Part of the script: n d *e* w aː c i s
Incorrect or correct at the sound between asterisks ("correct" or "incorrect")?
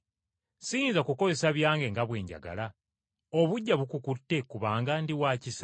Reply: incorrect